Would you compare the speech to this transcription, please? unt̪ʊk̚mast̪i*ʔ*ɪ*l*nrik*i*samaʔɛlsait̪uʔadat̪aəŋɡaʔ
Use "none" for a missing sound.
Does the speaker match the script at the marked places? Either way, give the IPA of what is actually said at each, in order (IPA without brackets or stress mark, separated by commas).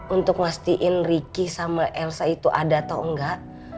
ʔ, none, i